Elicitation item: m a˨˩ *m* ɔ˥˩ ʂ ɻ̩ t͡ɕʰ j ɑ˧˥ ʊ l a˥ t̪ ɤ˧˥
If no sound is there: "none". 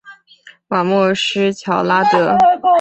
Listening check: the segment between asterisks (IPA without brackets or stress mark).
m